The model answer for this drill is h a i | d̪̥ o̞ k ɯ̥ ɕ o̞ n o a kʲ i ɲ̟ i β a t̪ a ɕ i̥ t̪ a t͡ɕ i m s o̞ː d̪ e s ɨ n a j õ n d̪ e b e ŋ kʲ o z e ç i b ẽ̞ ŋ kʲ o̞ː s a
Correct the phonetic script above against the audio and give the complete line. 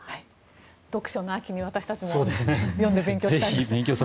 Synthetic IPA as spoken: h a i | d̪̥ o̞ k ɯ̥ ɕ o̞ n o a kʲ i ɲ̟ i β a t̪ a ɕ i̥ t̪ a t͡ɕ i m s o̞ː d̪ e s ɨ n e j õ n d̪ e b e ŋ kʲ o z e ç i b ẽ̞ ŋ kʲ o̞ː s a